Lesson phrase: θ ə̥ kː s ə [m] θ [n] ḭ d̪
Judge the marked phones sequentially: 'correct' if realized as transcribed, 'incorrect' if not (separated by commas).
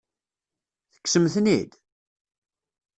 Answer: correct, correct